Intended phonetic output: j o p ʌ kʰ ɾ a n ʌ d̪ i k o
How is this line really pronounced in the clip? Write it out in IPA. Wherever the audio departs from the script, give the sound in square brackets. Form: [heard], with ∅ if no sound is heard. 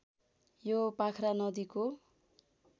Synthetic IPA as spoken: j o p [a] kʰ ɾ a n ʌ d̪ i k o